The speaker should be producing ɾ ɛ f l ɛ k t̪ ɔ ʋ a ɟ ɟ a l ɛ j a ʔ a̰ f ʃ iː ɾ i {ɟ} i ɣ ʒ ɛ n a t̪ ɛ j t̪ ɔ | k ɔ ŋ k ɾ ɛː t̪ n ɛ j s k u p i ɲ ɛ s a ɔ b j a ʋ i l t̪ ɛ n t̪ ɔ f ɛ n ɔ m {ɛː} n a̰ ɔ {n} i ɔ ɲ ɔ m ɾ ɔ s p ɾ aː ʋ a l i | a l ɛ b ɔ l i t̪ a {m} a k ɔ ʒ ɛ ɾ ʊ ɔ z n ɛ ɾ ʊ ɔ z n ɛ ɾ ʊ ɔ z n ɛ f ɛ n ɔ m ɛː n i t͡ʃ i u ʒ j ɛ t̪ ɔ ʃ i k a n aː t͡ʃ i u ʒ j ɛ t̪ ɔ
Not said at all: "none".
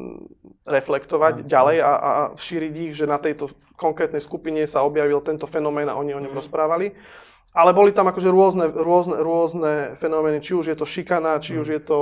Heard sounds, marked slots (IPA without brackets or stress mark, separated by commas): ɟ, ɛː, ɲ, m